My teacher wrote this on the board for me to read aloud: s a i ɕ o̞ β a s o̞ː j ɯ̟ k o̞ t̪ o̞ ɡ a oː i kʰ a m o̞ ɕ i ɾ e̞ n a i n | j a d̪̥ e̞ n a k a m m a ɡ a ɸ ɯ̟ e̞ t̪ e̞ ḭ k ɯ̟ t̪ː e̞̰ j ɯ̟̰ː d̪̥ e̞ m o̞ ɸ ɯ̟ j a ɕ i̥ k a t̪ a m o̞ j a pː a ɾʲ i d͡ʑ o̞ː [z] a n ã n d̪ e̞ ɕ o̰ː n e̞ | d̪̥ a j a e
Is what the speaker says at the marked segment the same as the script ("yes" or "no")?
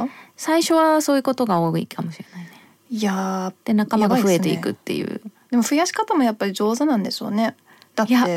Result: yes